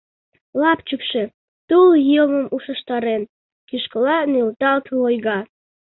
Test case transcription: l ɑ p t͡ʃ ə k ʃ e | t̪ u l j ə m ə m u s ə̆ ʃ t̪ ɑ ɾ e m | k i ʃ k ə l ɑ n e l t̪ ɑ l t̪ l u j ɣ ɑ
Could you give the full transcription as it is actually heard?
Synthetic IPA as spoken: l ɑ p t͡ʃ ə k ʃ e | t̪ u l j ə m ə m u ʃ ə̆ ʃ t̪ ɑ ɾ e n | k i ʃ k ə l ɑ n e l t̪ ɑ l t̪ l o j ɣ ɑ